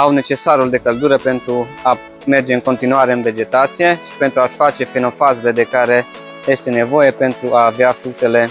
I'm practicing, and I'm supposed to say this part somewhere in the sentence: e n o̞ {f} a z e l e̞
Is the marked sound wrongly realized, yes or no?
no